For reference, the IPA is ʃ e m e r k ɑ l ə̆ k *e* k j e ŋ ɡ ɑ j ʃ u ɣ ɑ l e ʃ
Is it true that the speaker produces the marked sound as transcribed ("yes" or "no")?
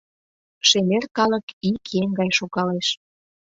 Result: no